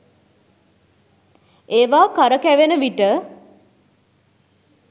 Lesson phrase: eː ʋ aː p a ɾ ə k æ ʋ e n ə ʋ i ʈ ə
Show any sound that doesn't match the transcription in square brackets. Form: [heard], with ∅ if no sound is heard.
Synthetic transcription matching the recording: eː ʋ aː [k] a ɾ ə k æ ʋ e n ə ʋ i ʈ ə